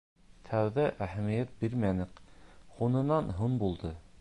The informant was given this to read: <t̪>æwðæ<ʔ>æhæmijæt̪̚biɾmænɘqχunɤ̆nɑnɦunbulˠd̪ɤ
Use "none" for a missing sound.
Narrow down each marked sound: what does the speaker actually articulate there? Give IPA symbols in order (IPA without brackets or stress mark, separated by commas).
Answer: t̪ʰ, ʔ